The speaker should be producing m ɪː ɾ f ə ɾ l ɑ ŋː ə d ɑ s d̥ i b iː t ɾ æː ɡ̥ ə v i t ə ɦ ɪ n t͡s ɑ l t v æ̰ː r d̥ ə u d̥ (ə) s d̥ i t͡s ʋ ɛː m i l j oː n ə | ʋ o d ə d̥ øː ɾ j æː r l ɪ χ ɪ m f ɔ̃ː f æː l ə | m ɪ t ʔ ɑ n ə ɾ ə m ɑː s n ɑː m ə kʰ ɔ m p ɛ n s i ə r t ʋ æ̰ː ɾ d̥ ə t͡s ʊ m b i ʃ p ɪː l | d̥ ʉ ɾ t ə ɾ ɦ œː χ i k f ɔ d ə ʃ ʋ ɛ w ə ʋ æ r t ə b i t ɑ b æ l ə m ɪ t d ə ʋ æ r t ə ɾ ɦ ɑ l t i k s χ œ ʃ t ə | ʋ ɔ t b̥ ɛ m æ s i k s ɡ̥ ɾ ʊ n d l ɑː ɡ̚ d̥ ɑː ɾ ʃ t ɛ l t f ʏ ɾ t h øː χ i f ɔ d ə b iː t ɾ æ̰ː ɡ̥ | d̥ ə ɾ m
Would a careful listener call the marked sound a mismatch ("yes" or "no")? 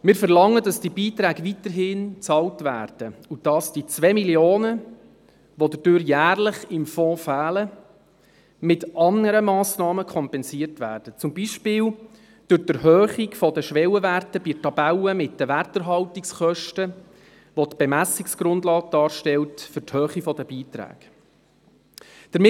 yes